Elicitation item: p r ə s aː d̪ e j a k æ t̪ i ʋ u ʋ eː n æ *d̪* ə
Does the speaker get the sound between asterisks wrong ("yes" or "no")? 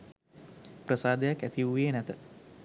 yes